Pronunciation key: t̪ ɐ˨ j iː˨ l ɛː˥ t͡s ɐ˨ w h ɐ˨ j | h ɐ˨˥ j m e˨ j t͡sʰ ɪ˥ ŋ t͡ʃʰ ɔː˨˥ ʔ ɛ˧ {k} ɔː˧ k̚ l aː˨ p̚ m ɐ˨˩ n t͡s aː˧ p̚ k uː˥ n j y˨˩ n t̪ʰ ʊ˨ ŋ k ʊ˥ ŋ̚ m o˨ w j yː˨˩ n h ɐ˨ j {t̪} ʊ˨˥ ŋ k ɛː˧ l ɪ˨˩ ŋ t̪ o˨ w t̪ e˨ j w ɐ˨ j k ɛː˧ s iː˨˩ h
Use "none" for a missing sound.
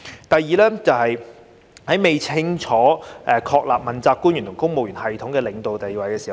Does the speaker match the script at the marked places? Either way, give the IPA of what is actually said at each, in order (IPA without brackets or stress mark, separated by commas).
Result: kʰ, t̪ʰ